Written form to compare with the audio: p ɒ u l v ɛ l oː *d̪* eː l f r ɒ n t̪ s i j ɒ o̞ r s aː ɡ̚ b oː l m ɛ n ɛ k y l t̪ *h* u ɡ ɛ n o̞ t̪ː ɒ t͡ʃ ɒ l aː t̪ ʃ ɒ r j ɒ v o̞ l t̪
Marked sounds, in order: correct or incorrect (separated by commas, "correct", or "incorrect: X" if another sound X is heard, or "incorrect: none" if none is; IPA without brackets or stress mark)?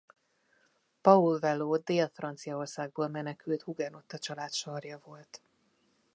correct, correct